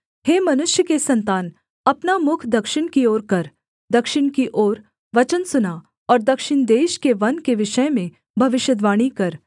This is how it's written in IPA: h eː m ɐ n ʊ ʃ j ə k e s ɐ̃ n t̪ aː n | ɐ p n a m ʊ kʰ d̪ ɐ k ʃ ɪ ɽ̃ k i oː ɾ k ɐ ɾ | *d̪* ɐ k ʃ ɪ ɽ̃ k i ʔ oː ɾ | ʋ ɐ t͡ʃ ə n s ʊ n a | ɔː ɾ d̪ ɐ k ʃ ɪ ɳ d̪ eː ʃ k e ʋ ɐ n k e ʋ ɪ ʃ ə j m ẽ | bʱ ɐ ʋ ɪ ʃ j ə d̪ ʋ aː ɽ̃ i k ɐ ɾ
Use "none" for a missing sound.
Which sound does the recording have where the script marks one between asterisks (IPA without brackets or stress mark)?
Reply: d̪